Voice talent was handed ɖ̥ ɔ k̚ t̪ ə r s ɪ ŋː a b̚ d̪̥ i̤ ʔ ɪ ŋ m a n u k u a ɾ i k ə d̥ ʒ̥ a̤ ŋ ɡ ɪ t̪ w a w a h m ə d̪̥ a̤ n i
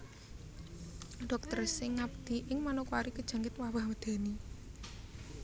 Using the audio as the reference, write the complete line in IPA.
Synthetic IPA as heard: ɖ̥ ɔ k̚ t̪ ə r s ɪ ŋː a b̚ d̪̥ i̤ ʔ ɪ ŋ m a n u k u a ɾ i k ə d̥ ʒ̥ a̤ ŋ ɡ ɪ t̪ w a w a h m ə d̪̥ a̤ n i